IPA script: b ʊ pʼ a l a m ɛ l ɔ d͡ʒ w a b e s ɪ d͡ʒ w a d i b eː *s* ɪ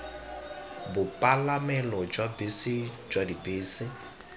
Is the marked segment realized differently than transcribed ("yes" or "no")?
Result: no